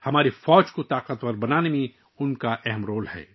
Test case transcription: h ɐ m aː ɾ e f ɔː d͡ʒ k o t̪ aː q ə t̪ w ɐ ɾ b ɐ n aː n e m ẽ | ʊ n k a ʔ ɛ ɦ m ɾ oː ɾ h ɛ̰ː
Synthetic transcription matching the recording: h ɐ m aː ɾ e f ɔː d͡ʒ k o t̪ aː q ə t̪ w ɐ ɾ b ɐ n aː n e m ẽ | ʊ n k a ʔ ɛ ɦ m ɾ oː l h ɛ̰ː